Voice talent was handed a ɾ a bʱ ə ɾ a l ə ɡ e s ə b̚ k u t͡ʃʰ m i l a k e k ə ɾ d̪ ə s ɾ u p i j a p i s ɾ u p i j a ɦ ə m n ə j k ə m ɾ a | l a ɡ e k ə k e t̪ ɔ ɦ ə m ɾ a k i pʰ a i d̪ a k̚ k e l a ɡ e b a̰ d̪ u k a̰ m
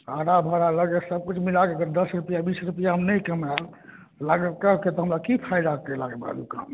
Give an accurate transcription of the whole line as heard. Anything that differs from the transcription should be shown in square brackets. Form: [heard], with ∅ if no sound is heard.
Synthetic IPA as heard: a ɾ a bʱ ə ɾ a l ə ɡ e s ə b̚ k u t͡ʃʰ m i l a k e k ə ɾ d̪ ə s ɾ u p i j a [b] i s ɾ u p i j a ɦ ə m n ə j k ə m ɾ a | l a ɡ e k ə k e t̪ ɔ ɦ ə m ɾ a k i pʰ a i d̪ a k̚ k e l a ɡ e b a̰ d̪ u k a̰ m

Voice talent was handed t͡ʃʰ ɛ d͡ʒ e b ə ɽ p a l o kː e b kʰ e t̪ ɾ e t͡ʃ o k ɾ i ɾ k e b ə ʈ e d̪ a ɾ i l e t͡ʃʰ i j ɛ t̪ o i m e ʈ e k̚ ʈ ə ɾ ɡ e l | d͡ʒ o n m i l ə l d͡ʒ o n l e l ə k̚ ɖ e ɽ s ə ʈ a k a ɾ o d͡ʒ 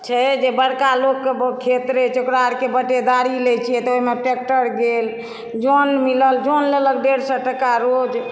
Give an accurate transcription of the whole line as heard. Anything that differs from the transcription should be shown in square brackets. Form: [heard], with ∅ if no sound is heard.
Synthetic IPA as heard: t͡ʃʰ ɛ d͡ʒ e b ə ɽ [k] a l o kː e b kʰ e t̪ ɾ e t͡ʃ o k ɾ [a] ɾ k e b ə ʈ e d̪ a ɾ i l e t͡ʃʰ i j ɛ t̪ o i m e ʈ e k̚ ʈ ə ɾ ɡ e l | d͡ʒ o n m i l ə l d͡ʒ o n l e l ə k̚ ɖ e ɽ s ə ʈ [ə] k a ɾ o d͡ʒ

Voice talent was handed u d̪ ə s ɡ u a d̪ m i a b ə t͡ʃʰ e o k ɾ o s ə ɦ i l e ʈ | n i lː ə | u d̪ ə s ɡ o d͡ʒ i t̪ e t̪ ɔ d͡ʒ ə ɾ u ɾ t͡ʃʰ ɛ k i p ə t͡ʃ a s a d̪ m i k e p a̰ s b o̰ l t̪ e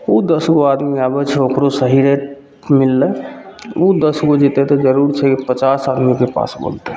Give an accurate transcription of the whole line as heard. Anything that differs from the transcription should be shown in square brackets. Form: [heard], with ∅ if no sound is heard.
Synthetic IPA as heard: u d̪ ə s ɡ [o] a d̪ m i a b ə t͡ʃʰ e o k ɾ o s ə ɦ i [ɾ] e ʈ | [m] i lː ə | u d̪ ə s ɡ o d͡ʒ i t̪ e t̪ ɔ d͡ʒ ə ɾ u ɾ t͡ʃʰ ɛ k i p ə t͡ʃ a s a d̪ m i k e p a̰ s b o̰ l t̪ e

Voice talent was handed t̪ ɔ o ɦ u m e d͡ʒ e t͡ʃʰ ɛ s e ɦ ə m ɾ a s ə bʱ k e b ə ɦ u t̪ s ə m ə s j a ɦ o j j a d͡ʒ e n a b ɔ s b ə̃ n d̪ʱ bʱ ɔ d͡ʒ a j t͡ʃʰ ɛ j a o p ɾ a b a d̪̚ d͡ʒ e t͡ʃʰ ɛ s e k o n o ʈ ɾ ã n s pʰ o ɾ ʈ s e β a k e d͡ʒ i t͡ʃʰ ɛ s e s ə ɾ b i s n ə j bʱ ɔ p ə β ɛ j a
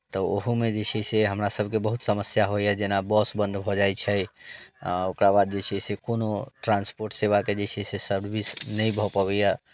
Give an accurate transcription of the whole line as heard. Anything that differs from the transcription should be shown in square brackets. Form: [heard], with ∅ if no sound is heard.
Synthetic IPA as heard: t̪ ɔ o ɦ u m e d͡ʒ e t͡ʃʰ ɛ s e ɦ ə m ɾ a s ə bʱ k e b ə ɦ u t̪ s ə m ə s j a ɦ o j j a d͡ʒ e n a b ɔ s b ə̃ n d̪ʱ bʱ ɔ d͡ʒ a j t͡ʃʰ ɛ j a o [k] ɾ a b a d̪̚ d͡ʒ e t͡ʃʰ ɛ s e k o n o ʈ ɾ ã n s [p] o ɾ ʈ s e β a k e d͡ʒ [e] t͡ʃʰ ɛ s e s ə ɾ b i s n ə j bʱ ɔ p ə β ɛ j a

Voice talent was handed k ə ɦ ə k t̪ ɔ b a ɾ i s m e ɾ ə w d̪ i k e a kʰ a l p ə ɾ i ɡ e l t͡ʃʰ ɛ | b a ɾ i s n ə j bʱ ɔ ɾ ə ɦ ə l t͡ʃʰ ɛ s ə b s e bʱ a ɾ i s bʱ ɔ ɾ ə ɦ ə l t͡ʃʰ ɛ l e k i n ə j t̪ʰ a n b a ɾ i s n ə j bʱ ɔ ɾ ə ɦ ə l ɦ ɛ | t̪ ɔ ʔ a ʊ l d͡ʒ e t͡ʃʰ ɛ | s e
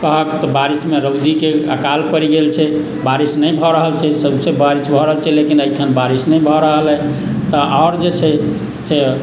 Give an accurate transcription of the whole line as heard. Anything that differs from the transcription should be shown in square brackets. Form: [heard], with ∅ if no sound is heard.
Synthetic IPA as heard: k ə ɦ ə k t̪ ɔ b a ɾ i s m e ɾ ə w d̪ i k e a [k] a l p ə ɾ i ɡ e l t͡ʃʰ ɛ | b a ɾ i s n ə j bʱ ɔ ɾ ə ɦ ə l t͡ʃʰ ɛ s ə b s e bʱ a ɾ i s bʱ ɔ ɾ ə ɦ ə l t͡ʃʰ ɛ l e k i n ə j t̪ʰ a n b a ɾ i s n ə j bʱ ɔ ɾ ə ɦ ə l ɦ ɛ | t̪ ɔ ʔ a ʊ [ɾ] d͡ʒ e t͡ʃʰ ɛ | s e

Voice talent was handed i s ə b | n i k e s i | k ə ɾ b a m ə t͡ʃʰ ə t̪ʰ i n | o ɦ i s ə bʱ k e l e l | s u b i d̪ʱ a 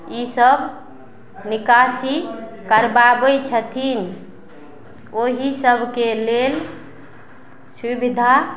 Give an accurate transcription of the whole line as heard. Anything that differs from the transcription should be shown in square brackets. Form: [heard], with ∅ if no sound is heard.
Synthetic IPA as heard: i s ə b | n i k [a] s i | k ə ɾ b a [b] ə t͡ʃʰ ə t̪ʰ i n | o ɦ i s ə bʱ k e l e l | s u b i d̪ʱ a

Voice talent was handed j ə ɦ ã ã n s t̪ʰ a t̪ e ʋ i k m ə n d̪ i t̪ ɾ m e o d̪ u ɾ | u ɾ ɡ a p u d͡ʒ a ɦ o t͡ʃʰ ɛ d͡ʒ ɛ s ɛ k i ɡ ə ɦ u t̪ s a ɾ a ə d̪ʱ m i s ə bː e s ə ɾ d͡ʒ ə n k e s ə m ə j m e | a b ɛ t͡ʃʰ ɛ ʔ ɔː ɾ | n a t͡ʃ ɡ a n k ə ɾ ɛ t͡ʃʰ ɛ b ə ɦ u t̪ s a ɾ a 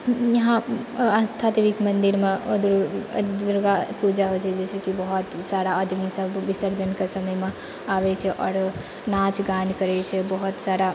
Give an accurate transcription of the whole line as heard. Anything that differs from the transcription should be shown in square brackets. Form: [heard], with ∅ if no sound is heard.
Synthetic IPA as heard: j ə ɦ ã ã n s t̪ʰ a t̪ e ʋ i k m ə n d̪ i [∅] ɾ m e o d̪ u ɾ | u ɾ ɡ a p u d͡ʒ a ɦ o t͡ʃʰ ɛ d͡ʒ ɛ s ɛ k i [b] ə ɦ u t̪ s a ɾ a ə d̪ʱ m i s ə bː [i] s ə ɾ d͡ʒ ə n k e s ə m ə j m e | a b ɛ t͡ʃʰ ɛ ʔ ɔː ɾ | n a t͡ʃ ɡ a n k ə ɾ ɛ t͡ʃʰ ɛ b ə ɦ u t̪ s a ɾ a

